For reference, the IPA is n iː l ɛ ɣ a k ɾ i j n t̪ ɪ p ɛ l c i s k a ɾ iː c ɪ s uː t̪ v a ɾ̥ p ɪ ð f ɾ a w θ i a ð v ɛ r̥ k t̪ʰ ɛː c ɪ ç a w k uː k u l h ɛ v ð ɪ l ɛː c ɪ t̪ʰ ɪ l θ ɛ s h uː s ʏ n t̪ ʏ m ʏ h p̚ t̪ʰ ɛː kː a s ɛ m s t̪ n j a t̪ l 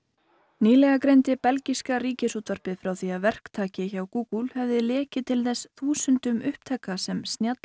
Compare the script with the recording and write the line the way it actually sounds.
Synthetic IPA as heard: n iː l ɛ ɣ a k ɾ e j n t̪ ɪ p ɛ l c i s k a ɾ iː c ɪ s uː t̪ v a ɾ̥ p ɪ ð f ɾ a w θ i a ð v ɛ r̥ k t̪ʰ aː c ɪ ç a w k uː k u l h ɛ v ð ɪ l ɛː c ɪ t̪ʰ ɪ l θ ɛ s θ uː s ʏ n t̪ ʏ m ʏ h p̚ t̪ʰ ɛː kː a s ɛ m s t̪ n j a t̪ l